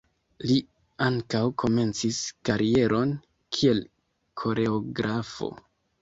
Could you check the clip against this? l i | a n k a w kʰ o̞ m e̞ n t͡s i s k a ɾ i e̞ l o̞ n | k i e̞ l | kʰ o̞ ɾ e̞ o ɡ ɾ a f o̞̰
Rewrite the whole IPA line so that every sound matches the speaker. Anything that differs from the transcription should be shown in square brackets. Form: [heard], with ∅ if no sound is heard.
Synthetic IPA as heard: l i | a [ŋ] k a w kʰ o̞ m e̞ n t͡s i s k a ɾ i e̞ [ɾ] o̞ n | [kʰ] i e̞ l | kʰ o̞ ɾ e̞ o ɡ ɾ a f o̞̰

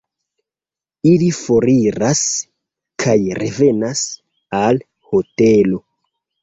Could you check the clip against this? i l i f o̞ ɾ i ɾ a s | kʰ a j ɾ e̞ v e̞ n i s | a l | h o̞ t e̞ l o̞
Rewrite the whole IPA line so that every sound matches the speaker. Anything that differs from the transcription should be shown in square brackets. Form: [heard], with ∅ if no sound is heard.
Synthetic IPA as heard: i l i f o̞ ɾ i ɾ a s | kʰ a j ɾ e̞ v e̞ n [a] s | a l | h o̞ t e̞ l o̞

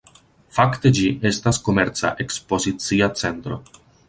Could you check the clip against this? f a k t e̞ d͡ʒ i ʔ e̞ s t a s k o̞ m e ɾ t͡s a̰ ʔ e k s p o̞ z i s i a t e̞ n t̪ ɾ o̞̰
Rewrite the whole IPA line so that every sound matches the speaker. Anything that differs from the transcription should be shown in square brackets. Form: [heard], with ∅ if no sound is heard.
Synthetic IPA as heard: f a k t e̞ d͡ʒ i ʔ e̞ s t a s k o̞ m e ɾ t͡s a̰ ʔ e k s p o̞ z i [t͡s] i a [t͡s] e̞ n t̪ ɾ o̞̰

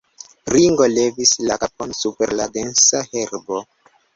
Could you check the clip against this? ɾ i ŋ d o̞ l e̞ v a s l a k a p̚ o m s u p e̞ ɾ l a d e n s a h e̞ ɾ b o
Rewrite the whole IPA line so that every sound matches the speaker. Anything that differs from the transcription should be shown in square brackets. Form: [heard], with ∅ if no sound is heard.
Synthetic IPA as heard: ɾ i ŋ [ɡ] o̞ l e̞ v [i] s l a k a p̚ o [n] s u p e̞ ɾ l a d e n s a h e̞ ɾ b o

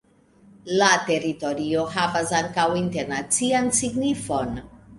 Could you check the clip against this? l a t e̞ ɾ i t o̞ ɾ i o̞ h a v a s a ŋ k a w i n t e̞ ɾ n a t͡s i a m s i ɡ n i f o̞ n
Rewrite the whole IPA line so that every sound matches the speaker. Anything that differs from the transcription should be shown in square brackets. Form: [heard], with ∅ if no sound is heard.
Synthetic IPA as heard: l a t e̞ ɾ i t o̞ ɾ i o̞ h a v a s a ŋ k a w i n t e̞ ɾ n a t͡s i a [n] s i ɡ n i f o̞ n

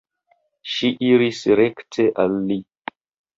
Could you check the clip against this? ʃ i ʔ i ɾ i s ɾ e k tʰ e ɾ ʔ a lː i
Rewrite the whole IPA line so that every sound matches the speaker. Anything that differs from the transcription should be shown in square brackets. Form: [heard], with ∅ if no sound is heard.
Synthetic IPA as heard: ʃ i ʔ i ɾ i s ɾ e k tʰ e [∅] ʔ a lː i

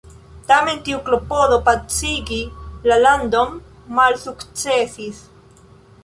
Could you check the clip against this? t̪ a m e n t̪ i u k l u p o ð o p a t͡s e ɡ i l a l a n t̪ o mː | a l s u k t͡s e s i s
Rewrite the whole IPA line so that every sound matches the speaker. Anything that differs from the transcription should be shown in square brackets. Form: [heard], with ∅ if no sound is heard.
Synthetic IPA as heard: t̪ a m e n t̪ i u k l [o] p o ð o p a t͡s [i] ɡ i l a l a n [d̪] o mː | a l s u k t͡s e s i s

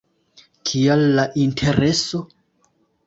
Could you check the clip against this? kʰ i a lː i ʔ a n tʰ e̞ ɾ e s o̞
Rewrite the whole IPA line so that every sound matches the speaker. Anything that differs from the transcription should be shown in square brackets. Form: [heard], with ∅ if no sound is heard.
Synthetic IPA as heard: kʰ i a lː [a] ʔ [i] n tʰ e̞ ɾ e s o̞

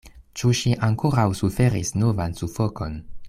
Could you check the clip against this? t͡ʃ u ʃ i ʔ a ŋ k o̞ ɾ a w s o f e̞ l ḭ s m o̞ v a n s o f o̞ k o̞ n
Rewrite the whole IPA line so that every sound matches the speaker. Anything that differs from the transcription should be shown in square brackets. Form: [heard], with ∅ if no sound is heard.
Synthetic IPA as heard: t͡ʃ u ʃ i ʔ a ŋ k o̞ ɾ a w s [u] f e̞ [ɾ] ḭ s [n] o̞ v a n s [u] f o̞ k o̞ n

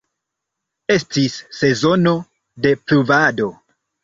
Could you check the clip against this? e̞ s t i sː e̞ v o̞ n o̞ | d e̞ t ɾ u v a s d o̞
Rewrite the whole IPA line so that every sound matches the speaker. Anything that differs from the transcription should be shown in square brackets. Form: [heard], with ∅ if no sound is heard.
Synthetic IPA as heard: e̞ s t i sː e̞ [z] o̞ n o̞ | d e̞ [p] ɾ u v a [∅] d o̞

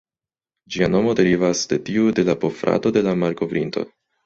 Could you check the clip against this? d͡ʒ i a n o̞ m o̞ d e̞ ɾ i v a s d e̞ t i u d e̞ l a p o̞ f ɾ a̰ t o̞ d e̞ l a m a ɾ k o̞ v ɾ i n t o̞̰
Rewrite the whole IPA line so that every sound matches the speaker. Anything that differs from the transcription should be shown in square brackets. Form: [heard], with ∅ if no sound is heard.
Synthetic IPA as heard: d͡ʒ i a n o̞ m o̞ d e̞ ɾ i v a s d e̞ t i u d e̞ l a p o̞ f ɾ a̰ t o̞ d e̞ l a m a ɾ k o̞ v ɾ i n t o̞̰

